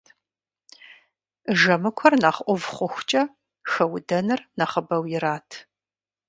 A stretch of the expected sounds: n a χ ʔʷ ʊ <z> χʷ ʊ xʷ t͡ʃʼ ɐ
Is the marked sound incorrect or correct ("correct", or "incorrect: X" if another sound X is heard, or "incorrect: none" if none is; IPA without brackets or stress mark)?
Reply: incorrect: v